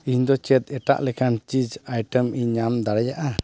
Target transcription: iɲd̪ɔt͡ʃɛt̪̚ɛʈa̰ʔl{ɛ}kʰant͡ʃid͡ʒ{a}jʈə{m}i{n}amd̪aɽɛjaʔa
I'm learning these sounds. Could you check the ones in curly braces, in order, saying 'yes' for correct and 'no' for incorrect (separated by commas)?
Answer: yes, yes, yes, no